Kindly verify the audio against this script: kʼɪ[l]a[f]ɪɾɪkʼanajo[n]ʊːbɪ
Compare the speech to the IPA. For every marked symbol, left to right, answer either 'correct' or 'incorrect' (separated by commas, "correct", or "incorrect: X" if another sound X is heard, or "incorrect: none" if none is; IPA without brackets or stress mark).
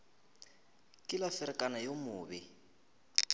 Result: correct, correct, incorrect: m